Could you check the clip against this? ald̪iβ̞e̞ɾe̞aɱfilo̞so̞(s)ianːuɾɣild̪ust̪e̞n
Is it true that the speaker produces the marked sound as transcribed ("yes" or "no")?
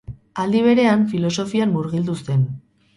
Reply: no